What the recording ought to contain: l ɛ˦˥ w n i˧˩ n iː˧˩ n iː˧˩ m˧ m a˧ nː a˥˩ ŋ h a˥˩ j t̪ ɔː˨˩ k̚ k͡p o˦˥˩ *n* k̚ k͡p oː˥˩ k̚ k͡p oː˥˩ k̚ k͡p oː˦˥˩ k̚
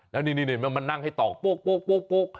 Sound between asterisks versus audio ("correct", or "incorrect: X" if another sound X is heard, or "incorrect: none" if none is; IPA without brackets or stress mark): incorrect: none